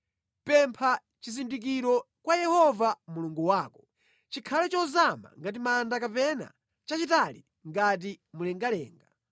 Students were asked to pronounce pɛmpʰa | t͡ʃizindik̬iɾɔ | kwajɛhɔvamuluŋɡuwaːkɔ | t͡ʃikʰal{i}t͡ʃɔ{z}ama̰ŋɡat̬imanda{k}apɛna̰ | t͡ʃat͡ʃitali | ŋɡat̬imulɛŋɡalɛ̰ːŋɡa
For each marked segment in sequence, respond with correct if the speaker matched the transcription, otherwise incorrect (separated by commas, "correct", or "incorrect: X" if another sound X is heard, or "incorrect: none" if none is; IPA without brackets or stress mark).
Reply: incorrect: ɛ, correct, correct